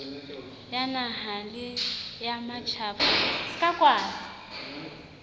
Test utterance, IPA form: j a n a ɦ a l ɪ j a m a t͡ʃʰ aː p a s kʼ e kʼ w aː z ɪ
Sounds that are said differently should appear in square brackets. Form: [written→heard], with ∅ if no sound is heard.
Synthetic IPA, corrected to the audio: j a n a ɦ a l ɪ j a m a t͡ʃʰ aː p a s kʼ [e→a] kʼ w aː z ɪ

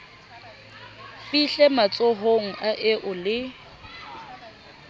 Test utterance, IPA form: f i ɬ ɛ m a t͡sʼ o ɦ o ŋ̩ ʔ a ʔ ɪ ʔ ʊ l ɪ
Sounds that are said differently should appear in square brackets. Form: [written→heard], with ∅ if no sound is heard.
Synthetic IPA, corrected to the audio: f i ɬ ɛ m a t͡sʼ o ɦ o ŋ̩ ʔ a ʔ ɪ ʔ ʊ l ɪ

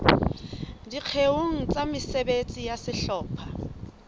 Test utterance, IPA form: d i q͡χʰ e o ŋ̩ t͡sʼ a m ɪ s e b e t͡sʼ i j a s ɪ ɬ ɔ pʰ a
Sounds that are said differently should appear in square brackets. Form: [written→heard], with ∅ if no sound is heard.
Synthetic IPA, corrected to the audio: d i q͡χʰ e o ŋ̩ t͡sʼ a m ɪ s e b e t͡sʼ i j a s ɪ ɬ [ɔ→ɔː] pʰ a

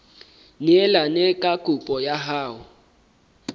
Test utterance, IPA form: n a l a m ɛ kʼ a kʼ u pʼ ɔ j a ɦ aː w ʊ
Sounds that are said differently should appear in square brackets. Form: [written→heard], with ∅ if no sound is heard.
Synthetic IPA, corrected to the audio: n [a→ɛ] l a [m→n] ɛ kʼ a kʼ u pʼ ɔ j a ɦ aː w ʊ

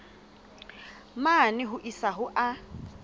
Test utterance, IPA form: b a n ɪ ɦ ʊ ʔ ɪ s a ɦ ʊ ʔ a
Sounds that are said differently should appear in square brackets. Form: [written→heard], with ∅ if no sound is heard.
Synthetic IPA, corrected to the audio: [b→m] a n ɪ ɦ ʊ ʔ [ɪ→i] s a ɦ ʊ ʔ a

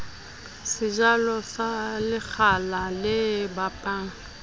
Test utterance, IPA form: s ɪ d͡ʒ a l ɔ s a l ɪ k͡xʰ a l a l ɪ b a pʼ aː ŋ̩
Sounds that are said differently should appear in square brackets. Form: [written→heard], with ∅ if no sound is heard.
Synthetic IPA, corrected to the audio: s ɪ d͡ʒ a l ɔ s a l ɪ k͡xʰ a l a l ɪ b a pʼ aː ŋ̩

